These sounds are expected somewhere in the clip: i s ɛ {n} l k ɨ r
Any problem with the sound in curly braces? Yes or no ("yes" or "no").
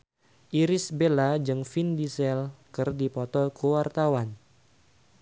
yes